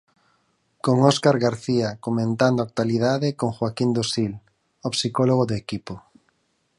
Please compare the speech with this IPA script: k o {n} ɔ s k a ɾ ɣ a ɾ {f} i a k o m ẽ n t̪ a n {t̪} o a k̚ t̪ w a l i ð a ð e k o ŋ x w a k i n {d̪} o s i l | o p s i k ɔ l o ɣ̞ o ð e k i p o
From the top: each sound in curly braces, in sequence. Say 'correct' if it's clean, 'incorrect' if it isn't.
incorrect: ŋ, incorrect: θ, incorrect: d̪, correct

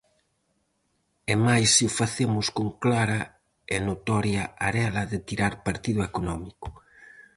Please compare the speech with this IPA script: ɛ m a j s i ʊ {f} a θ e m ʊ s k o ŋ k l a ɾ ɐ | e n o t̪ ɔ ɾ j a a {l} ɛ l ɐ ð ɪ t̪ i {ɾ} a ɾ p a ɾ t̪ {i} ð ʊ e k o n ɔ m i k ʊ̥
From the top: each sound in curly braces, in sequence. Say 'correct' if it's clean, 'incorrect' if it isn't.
correct, incorrect: ɾ, correct, correct

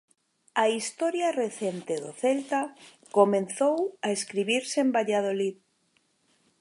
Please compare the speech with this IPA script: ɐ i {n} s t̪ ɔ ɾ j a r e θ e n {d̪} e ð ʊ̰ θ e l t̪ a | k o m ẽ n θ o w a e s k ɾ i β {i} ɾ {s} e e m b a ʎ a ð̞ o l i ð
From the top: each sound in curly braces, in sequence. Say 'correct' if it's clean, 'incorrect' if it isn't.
incorrect: none, incorrect: t̪, correct, correct

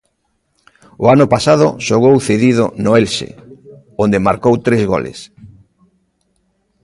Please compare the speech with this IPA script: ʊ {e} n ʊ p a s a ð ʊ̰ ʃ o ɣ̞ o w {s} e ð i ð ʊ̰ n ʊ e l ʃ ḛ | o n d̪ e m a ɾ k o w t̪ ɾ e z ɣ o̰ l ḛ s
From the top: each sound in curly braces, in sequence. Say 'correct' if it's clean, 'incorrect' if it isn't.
incorrect: a, incorrect: θ

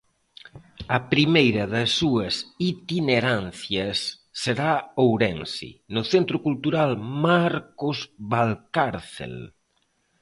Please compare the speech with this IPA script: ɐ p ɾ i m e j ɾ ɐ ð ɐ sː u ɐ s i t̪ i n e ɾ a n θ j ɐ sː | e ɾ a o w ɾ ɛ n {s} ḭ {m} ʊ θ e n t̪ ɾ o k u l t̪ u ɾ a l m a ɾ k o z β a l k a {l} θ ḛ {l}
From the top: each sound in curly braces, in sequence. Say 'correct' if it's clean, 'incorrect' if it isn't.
correct, incorrect: n, incorrect: ɾ, correct

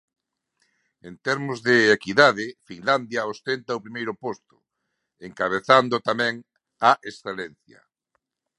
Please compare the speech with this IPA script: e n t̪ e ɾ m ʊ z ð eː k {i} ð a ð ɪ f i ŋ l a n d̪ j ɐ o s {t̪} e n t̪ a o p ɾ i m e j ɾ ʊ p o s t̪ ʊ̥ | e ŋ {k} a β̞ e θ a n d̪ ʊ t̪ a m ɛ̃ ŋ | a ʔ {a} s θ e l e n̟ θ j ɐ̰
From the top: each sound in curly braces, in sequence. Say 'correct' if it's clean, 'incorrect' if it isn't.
correct, correct, correct, incorrect: e

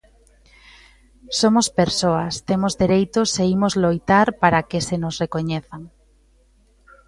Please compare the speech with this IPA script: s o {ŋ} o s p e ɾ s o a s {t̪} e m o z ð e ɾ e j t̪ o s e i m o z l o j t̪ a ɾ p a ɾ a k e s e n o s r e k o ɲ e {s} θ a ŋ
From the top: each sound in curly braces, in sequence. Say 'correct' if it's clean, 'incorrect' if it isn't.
incorrect: m, correct, incorrect: none

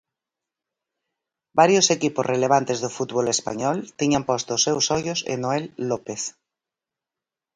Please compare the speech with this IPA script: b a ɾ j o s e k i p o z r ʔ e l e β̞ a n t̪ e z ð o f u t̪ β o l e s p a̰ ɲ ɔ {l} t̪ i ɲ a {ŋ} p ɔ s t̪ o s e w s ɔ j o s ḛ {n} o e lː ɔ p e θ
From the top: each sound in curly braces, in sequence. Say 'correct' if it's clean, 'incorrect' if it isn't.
correct, incorrect: m, correct

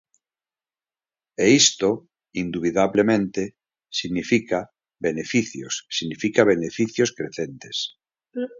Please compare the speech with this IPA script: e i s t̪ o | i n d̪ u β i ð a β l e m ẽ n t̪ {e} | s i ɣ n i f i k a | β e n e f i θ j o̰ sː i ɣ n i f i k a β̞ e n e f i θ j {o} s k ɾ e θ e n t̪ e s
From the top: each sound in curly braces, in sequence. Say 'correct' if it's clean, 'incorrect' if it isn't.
correct, correct

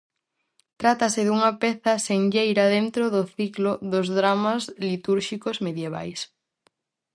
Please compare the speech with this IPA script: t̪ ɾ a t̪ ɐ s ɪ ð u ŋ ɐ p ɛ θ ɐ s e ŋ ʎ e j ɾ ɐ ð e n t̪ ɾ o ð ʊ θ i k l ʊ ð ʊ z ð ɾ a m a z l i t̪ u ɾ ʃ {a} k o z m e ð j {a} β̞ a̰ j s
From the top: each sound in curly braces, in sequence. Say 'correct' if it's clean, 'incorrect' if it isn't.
incorrect: i, incorrect: e

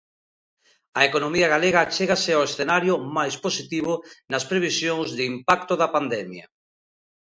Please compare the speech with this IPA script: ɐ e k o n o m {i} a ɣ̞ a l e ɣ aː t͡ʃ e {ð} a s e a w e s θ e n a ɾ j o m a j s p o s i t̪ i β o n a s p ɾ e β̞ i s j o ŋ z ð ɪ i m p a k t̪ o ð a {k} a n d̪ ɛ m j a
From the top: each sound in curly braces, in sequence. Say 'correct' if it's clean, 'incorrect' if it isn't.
correct, incorrect: ɣ, incorrect: p

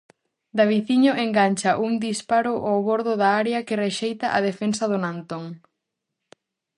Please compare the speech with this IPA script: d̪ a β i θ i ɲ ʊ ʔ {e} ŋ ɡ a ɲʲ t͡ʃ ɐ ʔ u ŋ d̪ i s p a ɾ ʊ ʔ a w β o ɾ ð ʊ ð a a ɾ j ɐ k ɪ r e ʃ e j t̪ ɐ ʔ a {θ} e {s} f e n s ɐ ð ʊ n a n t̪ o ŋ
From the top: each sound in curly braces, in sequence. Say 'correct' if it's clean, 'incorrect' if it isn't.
correct, incorrect: ð, incorrect: none

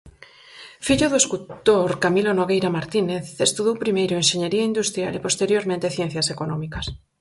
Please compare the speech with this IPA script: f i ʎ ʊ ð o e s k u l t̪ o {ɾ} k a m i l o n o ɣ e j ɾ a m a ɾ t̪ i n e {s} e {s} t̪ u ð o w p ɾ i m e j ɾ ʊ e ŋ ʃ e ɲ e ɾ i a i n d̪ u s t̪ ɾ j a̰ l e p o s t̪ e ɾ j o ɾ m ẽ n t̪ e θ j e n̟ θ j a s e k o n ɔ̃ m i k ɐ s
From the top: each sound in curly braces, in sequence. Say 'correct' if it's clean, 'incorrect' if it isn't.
correct, incorrect: θ, correct

